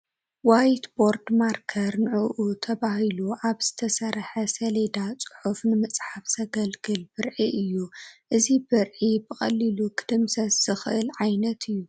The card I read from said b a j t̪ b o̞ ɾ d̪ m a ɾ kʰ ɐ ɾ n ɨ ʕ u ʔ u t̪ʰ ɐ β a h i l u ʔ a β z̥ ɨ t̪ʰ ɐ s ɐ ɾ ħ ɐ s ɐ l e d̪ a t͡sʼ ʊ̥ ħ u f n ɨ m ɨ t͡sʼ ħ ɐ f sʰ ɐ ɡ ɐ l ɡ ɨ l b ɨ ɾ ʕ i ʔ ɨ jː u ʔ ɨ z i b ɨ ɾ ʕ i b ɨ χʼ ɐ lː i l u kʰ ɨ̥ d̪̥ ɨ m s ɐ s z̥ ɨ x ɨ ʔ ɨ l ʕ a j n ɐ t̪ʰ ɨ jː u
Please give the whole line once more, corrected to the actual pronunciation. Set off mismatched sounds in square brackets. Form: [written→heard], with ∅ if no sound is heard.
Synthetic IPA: [b→w] a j t̪ b o̞ ɾ d̪ m a ɾ kʰ ɐ ɾ n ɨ ʕ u ʔ u t̪ʰ ɐ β a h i l u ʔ a β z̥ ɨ t̪ʰ ɐ s ɐ ɾ ħ ɐ s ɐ l e d̪ a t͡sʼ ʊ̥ ħ u f n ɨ m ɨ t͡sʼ ħ [ɐ→a] f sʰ ɐ ɡ ɐ l ɡ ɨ l b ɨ ɾ ʕ i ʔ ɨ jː u ʔ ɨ z i b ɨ ɾ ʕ i b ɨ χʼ ɐ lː i l u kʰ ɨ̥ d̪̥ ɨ m s ɐ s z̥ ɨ x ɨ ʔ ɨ l ʕ a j n ɐ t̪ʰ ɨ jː u

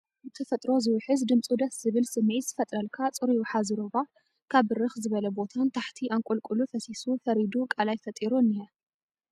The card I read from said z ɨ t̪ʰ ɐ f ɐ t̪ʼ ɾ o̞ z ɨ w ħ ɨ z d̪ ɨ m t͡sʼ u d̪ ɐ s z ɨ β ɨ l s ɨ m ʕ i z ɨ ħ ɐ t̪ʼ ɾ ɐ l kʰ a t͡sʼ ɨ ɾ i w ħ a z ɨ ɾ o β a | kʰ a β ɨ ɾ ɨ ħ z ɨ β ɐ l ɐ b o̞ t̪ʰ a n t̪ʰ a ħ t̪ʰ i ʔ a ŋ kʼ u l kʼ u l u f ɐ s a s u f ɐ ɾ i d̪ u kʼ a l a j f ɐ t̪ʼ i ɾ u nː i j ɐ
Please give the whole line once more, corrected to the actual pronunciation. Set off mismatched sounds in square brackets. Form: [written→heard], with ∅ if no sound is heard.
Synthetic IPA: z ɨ t̪ʰ ɐ f ɐ t̪ʼ ɾ o̞ z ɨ w ħ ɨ z d̪ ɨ m t͡sʼ u d̪ ɐ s z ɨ β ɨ l s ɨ m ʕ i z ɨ [ħ→f] ɐ t̪ʼ ɾ ɐ l kʰ a t͡sʼ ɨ ɾ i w ħ a z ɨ ɾ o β a | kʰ a β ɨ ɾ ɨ [ħ→x] z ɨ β ɐ l ɐ b o̞ t̪ʰ a n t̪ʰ a ħ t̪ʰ i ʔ a ŋ kʼ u l kʼ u l u f ɐ s [a→i] s u f ɐ ɾ i d̪ u kʼ a l a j f ɐ t̪ʼ i ɾ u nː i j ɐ

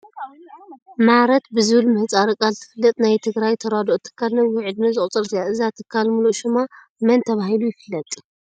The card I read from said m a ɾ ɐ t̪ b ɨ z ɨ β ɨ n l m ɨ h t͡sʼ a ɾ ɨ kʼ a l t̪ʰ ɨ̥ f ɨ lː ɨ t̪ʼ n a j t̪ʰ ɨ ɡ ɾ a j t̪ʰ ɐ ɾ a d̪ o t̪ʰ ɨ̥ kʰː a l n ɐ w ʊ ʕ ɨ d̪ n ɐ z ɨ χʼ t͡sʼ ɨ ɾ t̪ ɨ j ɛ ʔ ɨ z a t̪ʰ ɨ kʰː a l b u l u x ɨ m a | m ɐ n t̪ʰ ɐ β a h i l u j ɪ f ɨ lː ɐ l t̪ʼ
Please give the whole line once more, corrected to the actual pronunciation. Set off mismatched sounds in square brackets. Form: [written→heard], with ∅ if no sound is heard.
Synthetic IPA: m a ɾ ɐ t̪ b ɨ z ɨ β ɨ [n→∅] l m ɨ h t͡sʼ a ɾ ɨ kʼ a l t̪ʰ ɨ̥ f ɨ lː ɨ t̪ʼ n a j t̪ʰ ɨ ɡ ɾ a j t̪ʰ ɐ ɾ a d̪ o t̪ʰ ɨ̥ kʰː a l n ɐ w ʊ ʕ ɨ d̪ n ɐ z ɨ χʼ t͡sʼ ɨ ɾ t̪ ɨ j [ɛ→a] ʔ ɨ z a t̪ʰ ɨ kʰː a l [b→m] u l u [x→ʃ] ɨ m a | m ɐ n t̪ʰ ɐ β a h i l u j ɪ f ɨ lː ɐ [l→∅] t̪ʼ

